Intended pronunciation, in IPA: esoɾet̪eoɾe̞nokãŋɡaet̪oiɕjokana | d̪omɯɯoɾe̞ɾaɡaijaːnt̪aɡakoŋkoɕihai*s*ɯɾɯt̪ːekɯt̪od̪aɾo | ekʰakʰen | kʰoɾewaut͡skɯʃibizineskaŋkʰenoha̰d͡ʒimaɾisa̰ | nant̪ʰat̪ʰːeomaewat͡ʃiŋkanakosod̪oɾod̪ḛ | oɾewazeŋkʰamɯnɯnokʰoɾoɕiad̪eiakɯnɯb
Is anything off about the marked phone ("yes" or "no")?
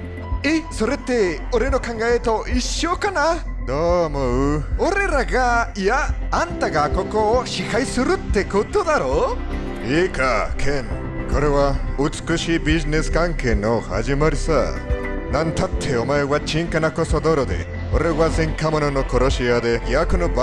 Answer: no